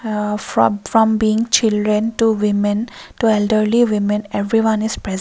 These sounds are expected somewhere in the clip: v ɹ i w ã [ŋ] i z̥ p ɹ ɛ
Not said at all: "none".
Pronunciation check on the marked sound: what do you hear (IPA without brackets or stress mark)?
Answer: n